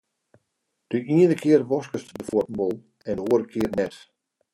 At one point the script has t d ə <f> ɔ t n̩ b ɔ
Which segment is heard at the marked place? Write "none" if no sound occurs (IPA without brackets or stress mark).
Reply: f